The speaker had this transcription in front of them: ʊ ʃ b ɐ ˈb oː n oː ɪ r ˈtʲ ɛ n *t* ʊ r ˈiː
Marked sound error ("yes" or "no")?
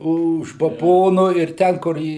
yes